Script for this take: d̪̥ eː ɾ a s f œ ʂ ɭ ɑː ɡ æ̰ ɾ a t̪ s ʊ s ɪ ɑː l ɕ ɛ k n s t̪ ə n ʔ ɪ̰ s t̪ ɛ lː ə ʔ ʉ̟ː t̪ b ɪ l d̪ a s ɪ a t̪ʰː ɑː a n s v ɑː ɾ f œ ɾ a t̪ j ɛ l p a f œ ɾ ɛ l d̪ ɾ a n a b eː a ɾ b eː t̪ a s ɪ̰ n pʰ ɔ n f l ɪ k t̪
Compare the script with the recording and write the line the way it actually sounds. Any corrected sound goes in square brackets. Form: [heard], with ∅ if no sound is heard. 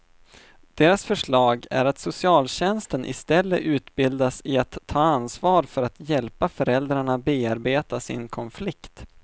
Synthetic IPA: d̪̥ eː ɾ a s f œ ʂ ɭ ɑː ɡ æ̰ ɾ a t̪ s ʊ s ɪ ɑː l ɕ ɛ [∅] n s t̪ ə n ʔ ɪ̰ s t̪ ɛ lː ə ʔ ʉ̟ː t̪ b ɪ l d̪ a s ɪ a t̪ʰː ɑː a n s v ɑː ɾ f œ ɾ a t̪ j ɛ l p a f œ ɾ ɛ l d̪ ɾ a [ɳ] a b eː a ɾ b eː t̪ a s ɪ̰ n [kʰ] ɔ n f l ɪ k t̪